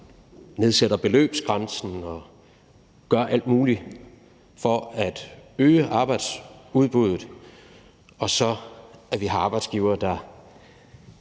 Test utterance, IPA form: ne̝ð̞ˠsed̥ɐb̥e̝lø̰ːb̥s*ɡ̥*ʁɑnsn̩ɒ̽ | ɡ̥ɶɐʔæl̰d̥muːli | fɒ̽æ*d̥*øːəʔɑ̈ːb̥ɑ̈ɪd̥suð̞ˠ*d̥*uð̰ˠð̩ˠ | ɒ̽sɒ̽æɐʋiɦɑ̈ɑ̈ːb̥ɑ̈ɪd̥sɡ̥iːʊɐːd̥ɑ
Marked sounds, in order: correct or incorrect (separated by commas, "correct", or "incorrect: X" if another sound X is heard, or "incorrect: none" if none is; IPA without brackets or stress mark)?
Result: correct, correct, incorrect: b̥